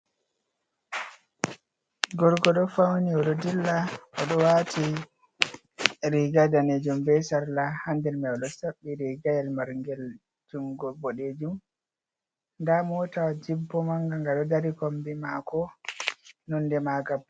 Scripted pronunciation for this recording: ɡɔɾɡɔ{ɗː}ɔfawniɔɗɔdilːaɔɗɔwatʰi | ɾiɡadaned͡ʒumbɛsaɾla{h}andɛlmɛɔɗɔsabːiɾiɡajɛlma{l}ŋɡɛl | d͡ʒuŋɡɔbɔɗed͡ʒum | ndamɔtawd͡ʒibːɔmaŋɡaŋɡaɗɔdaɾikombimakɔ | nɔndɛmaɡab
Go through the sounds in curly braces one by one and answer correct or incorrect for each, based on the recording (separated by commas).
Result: incorrect, correct, incorrect